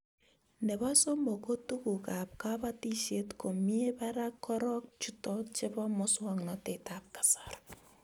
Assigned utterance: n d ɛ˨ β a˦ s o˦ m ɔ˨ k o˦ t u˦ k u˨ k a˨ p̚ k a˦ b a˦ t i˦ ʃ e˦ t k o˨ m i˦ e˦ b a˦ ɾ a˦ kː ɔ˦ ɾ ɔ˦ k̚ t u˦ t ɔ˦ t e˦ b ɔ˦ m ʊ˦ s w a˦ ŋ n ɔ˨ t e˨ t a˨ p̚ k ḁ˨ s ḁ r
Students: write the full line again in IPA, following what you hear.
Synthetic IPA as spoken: n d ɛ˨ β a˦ s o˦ m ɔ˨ k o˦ t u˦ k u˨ k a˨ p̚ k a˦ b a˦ t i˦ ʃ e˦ t k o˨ m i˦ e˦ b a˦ ɾ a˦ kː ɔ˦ ɾ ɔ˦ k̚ t͡ʃ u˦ t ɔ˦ t͡ʃ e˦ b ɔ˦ m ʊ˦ s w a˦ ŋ n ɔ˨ t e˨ t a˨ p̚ k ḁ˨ s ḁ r